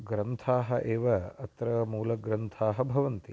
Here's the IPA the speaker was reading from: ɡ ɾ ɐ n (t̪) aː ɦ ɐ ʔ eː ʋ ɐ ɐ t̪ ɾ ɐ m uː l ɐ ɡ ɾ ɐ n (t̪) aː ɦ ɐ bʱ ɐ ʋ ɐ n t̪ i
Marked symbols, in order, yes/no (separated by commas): no, no